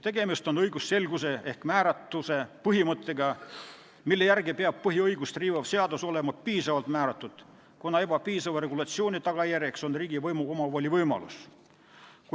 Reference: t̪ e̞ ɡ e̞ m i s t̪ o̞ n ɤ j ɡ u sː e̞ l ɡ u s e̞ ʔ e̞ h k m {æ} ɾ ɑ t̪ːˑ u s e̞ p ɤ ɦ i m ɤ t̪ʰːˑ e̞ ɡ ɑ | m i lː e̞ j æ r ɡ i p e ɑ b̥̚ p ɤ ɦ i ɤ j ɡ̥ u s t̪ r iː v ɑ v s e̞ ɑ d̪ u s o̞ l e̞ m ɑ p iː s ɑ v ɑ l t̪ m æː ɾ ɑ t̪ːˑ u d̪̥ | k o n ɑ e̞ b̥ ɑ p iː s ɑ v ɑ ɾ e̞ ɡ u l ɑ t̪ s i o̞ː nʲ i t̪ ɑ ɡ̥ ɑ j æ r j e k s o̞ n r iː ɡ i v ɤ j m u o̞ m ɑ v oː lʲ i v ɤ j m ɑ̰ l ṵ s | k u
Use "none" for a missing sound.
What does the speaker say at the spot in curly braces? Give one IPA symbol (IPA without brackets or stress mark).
æː